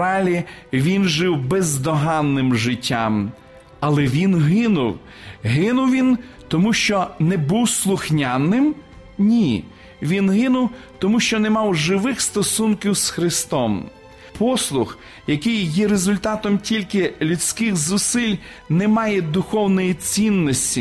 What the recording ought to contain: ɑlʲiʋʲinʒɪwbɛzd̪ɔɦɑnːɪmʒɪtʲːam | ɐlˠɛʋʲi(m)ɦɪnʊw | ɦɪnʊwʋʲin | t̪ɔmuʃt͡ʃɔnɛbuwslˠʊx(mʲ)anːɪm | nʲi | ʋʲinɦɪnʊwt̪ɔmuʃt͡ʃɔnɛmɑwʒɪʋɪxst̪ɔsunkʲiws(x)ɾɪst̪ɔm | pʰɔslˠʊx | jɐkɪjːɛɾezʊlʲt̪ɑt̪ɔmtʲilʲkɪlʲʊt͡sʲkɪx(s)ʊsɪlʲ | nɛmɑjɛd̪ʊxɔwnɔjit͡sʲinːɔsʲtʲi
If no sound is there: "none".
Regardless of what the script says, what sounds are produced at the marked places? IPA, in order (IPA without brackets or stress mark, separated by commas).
n, nʲ, x, z